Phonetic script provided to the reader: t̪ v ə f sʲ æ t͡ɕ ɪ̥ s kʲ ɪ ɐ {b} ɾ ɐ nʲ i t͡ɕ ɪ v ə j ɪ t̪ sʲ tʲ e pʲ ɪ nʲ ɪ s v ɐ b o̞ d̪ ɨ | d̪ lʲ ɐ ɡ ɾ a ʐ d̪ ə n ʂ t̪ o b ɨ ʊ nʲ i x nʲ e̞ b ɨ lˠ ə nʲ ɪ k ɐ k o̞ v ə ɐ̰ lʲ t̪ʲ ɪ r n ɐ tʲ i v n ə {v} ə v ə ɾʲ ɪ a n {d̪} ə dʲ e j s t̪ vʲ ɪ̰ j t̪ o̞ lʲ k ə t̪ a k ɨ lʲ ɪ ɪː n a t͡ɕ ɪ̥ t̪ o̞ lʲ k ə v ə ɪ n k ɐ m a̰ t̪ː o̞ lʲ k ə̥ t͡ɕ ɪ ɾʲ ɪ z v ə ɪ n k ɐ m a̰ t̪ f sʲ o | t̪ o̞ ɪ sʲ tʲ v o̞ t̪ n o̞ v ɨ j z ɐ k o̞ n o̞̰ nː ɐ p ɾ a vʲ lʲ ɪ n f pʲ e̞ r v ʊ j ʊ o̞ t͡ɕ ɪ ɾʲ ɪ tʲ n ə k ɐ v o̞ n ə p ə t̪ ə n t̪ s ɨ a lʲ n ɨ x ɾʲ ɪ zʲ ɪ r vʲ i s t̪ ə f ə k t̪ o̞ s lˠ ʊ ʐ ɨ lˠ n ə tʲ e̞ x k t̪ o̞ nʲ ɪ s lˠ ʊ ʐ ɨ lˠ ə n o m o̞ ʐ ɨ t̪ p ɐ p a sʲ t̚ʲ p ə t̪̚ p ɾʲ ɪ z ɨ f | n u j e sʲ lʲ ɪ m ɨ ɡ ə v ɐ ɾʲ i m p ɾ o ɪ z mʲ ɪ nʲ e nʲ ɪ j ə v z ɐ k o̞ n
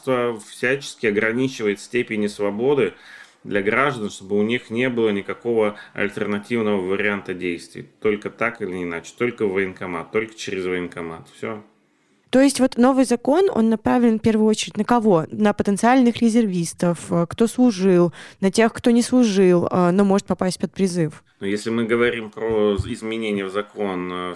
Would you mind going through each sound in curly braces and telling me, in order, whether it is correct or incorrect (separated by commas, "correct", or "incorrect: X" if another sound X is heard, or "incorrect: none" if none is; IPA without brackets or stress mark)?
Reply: incorrect: ɡ, correct, incorrect: t̪